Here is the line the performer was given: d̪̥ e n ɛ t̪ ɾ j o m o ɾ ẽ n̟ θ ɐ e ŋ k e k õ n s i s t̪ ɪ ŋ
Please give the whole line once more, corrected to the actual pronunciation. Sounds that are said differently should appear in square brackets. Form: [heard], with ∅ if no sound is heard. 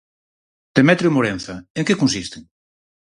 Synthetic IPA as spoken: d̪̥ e [m] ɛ t̪ ɾ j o m o ɾ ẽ n̟ θ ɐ e ŋ k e k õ n s i s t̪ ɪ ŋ